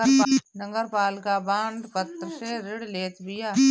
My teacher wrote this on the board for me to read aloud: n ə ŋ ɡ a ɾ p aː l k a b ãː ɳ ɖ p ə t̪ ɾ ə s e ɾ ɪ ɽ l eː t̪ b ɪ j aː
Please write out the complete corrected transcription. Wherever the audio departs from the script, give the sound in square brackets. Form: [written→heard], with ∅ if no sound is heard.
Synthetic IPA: n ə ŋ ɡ [a→ə] ɾ p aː l k a b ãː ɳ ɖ p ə t̪ ɾ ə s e ɾ ɪ ɽ l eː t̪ b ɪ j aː